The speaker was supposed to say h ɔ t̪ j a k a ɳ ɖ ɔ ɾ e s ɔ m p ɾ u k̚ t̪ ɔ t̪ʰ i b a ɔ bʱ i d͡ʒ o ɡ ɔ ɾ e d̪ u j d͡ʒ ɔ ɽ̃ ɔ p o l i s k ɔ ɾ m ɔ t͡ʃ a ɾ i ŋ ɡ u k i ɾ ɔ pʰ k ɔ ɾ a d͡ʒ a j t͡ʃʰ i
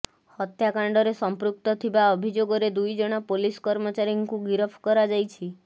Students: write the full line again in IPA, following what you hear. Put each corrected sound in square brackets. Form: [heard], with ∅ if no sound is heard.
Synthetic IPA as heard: h ɔ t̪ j a k a ɳ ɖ ɔ ɾ e s ɔ m p ɾ u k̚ t̪ ɔ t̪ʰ i b a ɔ bʱ i d͡ʒ o ɡ ɔ ɾ e d̪ u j d͡ʒ ɔ ɽ̃ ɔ p o l i s k ɔ ɾ m ɔ t͡ʃ a ɾ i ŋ [k] u [ɡ] i ɾ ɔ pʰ k ɔ ɾ a d͡ʒ a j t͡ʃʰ i

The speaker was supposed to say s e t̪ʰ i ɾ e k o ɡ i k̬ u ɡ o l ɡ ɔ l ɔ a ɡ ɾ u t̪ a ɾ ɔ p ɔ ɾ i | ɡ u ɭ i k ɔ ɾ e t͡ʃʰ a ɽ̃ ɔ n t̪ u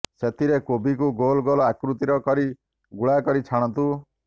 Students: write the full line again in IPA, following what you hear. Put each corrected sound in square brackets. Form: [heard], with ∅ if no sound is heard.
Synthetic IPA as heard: s e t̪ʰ i ɾ e k o [b] i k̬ u ɡ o l ɡ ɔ l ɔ a [k] ɾ u t̪ [i] ɾ ɔ [k] ɔ ɾ i | ɡ u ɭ [a] k ɔ ɾ [i] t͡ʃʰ a ɽ̃ ɔ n t̪ u

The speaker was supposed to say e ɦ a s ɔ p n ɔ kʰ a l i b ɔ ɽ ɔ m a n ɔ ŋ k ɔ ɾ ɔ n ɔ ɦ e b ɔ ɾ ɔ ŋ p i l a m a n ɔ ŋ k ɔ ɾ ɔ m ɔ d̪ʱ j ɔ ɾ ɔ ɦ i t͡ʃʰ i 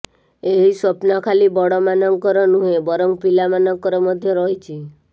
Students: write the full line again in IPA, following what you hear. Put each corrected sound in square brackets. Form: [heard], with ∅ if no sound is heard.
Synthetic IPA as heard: e ɦ [i] s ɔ p n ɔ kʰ a l i b ɔ ɽ ɔ m a n ɔ ŋ k ɔ ɾ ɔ n [u] ɦ e b ɔ ɾ ɔ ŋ p i l a m a n ɔ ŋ k ɔ ɾ ɔ m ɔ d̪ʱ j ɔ ɾ ɔ ɦ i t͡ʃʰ i

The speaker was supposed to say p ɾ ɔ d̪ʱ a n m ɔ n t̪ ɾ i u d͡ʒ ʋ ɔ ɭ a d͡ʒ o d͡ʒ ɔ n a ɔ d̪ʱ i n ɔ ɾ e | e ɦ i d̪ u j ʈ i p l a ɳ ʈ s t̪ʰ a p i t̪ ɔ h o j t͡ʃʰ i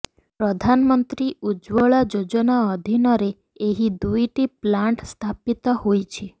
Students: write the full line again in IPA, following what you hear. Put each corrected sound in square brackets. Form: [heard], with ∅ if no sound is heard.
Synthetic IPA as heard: p ɾ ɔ d̪ʱ a n m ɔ n t̪ ɾ i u d͡ʒ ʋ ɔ ɭ a d͡ʒ o d͡ʒ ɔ n a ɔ d̪ʱ i n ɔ ɾ e | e ɦ i d̪ u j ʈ i p l a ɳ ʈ s t̪ʰ a p i t̪ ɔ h o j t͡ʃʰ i

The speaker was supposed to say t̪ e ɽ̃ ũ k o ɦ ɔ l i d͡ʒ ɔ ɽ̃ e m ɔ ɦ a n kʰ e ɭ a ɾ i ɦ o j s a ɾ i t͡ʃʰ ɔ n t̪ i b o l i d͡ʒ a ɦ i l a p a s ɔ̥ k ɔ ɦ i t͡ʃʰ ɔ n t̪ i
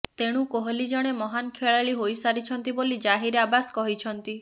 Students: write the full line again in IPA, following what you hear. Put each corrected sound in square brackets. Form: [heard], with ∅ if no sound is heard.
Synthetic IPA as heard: t̪ e ɽ̃ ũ k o ɦ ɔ l i d͡ʒ ɔ ɽ̃ e m ɔ ɦ a n kʰ e ɭ a [ɭ] i ɦ o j s a ɾ i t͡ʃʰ ɔ n t̪ i b o l i d͡ʒ a ɦ i [ɾ] a [b] a s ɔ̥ k ɔ ɦ i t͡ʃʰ ɔ n t̪ i

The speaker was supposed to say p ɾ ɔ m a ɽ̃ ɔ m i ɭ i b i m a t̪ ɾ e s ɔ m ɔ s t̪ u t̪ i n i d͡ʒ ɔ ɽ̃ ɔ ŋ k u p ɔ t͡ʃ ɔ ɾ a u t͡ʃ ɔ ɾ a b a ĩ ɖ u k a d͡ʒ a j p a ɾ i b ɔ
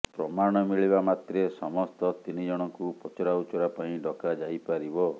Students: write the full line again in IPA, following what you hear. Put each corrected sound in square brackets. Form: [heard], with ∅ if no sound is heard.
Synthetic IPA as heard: p ɾ ɔ m a ɽ̃ ɔ m i ɭ i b [a] m a t̪ ɾ e s ɔ m ɔ s t̪ [ɔ] t̪ i n i d͡ʒ ɔ ɽ̃ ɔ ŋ k u p ɔ t͡ʃ ɔ ɾ a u t͡ʃ ɔ ɾ a [p] a ĩ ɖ [ɔ] k a d͡ʒ a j p a ɾ i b ɔ

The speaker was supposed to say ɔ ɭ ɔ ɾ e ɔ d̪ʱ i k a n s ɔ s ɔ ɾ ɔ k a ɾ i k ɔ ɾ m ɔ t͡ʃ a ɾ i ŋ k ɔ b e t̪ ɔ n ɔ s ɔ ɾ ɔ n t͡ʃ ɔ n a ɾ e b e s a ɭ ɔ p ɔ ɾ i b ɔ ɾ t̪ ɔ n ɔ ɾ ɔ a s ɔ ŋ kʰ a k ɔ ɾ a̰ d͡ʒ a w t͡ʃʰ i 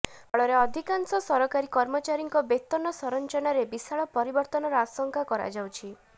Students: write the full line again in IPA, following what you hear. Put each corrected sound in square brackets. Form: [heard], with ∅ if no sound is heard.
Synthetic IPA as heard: ɔ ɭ ɔ ɾ e ɔ d̪ʱ i k a n s ɔ s ɔ ɾ ɔ k a ɾ i k ɔ ɾ m ɔ t͡ʃ a ɾ i ŋ k ɔ b e t̪ ɔ n ɔ s ɔ ɾ ɔ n t͡ʃ ɔ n a ɾ e b [i] s a ɭ ɔ p ɔ ɾ i b ɔ ɾ t̪ ɔ n ɔ ɾ ɔ a s ɔ ŋ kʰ a k ɔ ɾ a̰ d͡ʒ a w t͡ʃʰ i

